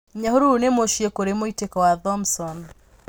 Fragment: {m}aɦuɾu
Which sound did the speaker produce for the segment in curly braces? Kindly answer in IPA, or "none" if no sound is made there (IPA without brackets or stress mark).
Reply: ɲ